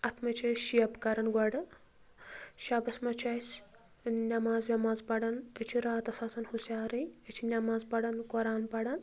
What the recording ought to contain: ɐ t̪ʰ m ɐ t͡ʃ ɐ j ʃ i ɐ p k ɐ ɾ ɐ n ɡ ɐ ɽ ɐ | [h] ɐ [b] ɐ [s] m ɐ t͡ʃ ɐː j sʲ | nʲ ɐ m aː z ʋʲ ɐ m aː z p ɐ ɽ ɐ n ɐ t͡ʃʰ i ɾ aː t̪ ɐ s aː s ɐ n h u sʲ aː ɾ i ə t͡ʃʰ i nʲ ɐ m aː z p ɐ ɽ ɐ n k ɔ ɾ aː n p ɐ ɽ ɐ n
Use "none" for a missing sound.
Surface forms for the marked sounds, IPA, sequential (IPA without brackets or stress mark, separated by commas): ʃ, b, s